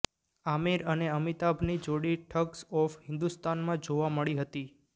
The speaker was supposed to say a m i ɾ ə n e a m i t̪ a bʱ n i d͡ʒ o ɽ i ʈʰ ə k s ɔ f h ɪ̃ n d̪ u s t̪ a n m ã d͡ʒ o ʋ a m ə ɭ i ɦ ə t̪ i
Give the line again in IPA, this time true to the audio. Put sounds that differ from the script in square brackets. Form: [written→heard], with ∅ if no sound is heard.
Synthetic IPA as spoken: a m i ɾ ə n e [a→ə] m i t̪ a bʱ n i d͡ʒ o ɽ i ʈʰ ə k s ɔ f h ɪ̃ n d̪ u s t̪ a n m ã d͡ʒ o ʋ a m ə ɭ i ɦ ə t̪ i